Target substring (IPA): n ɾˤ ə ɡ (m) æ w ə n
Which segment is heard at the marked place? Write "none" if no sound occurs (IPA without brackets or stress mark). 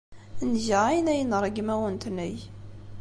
m